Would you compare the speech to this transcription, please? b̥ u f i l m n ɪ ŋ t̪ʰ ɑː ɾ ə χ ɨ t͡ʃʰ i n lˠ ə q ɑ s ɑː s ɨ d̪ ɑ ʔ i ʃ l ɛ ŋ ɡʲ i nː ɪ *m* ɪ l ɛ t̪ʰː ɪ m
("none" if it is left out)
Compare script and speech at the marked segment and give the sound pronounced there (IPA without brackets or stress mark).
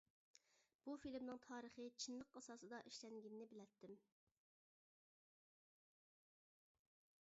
b